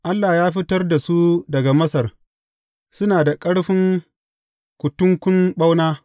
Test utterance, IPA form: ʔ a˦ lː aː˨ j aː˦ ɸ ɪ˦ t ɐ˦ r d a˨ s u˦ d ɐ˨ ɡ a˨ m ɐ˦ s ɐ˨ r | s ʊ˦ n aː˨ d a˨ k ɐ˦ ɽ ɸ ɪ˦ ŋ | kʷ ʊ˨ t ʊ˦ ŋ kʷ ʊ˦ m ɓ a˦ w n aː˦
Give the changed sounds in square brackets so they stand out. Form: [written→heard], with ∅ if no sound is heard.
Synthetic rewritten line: ʔ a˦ lː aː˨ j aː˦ ɸ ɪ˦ t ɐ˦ r d a˨ s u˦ d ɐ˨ ɡ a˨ m ɐ˦ s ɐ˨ r | s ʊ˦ n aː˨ d a˨ [k→kʼ] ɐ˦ ɽ ɸ ɪ˦ ŋ | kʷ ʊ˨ t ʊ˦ ŋ kʷ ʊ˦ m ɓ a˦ w n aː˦